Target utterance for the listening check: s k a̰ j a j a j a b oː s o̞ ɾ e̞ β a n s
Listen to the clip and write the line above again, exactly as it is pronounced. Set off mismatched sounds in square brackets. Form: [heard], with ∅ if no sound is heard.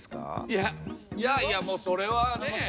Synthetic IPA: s k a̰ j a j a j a [m] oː s o̞ ɾ e̞ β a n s